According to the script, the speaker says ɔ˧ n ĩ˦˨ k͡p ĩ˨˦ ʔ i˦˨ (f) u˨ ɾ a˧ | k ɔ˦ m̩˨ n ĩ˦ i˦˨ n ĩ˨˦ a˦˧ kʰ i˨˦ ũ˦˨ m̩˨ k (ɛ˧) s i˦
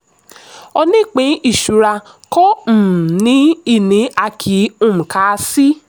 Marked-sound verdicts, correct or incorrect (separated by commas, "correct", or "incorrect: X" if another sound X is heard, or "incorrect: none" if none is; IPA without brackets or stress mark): incorrect: ʃ, incorrect: a˧